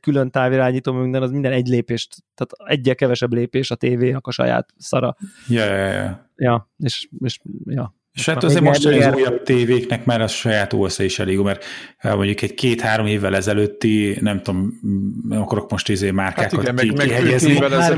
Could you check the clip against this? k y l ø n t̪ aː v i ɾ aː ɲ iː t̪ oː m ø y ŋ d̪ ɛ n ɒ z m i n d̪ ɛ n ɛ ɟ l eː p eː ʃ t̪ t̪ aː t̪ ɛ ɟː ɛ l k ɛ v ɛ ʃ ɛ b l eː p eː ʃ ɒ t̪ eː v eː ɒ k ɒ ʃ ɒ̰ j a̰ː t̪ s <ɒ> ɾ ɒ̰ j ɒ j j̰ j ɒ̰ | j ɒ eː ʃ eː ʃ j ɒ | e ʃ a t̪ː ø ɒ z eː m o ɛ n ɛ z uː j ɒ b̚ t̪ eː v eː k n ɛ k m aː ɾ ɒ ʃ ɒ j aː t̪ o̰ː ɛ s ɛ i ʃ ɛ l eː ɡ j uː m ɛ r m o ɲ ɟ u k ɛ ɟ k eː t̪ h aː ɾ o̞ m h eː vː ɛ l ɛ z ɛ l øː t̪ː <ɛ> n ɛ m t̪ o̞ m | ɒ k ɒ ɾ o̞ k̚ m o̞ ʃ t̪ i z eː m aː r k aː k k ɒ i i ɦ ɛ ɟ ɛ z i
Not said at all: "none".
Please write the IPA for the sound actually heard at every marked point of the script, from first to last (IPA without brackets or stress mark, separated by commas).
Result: ɒ, i